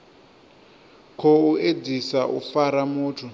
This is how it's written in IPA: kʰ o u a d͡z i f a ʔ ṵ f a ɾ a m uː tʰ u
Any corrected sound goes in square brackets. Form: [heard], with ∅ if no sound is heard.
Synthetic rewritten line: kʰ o u [e] d͡z i [s] a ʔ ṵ f a ɾ a m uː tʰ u